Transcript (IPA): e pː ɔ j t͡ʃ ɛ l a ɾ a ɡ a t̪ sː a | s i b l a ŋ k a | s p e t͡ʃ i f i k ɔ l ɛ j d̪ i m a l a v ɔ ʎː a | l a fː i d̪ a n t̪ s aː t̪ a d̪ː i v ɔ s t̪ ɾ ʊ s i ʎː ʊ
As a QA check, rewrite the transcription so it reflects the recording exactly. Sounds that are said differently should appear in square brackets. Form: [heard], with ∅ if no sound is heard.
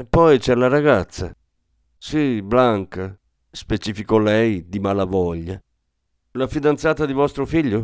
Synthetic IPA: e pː ɔ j t͡ʃ ɛ l a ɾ a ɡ a t̪ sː a | s i b l a ŋ k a | s p e t͡ʃ i f i k ɔ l ɛ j d̪ i m a l a v ɔ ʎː a | l a [f] i d̪ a n t̪ s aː t̪ a [d̪] i v ɔ s t̪ ɾ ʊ [f] i ʎː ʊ